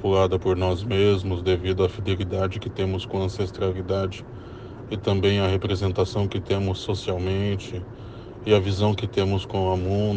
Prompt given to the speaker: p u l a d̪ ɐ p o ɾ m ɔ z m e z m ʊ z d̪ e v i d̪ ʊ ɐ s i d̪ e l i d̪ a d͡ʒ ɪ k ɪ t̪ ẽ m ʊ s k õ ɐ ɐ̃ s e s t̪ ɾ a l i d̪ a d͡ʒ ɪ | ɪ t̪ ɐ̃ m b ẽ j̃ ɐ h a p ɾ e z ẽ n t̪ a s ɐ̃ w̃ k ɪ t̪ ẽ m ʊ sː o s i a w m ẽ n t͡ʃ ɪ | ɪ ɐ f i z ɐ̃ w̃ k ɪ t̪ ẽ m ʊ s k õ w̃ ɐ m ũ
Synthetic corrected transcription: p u l a d̪ ɐ p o ɾ n ɔ z m e z m ʊ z d̪ e v i d̪ ʊ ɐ f i d̪ e l i d̪ a d͡ʒ ɪ k ɪ t̪ ẽ m ʊ s k õ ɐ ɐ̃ s e s t̪ ɾ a l i d̪ a d͡ʒ ɪ | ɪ t̪ ɐ̃ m b ẽ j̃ ɐ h e p ɾ e z ẽ n t̪ a s ɐ̃ w̃ k ɪ t̪ ẽ m ʊ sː o s i a w m ẽ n t͡ʃ ɪ | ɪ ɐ v i z ɐ̃ w̃ k ɪ t̪ ẽ m ʊ s k õ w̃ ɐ m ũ

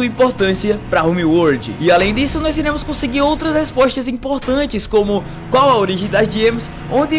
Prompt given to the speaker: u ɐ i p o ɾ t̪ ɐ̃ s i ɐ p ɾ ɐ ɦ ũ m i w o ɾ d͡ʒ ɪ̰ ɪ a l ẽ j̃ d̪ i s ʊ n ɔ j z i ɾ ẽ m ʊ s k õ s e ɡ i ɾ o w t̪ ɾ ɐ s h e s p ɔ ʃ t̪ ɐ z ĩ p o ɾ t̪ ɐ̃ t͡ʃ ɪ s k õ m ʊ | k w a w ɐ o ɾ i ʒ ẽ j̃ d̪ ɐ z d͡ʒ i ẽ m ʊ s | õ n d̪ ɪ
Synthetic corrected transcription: u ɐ ĩ p o ɾ t̪ ɐ̃ s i ɐ p ɾ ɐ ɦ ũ m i w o ɾ d͡ʒ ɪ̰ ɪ a l ẽ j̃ d̪ i s ʊ n ɔ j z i ɾ ẽ m ʊ s k õ s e ɡ i ɾ o w t̪ ɾ ɐ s h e s p ɔ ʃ t̪ ɐ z ĩ p o ɾ t̪ ɐ̃ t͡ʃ ɪ s k õ m ʊ | k w a w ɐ o ɾ i ʒ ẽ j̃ d̪ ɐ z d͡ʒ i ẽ m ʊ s | õ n d̪ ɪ

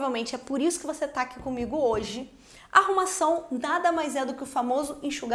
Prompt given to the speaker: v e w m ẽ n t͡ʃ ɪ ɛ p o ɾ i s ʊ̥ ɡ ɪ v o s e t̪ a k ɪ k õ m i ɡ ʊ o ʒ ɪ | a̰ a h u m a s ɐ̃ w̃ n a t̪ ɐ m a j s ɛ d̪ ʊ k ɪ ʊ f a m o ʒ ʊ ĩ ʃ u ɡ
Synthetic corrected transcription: v e w m ẽ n t͡ʃ ɪ ɛ p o ɾ i s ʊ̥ k ɪ v o s e t̪ a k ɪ k õ m i ɡ ʊ o ʒ ɪ | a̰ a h u m a s ɐ̃ w̃ n a d̪ ɐ m a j z ɛ d̪ ʊ k ɪ ʊ f a m o z ʊ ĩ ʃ u ɡ

